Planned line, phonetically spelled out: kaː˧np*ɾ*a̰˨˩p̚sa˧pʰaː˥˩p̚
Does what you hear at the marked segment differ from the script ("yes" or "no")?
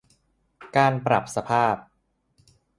no